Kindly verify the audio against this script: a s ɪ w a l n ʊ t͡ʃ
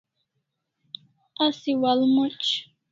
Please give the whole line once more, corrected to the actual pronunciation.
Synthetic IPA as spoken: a s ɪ w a l m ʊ t͡ʃ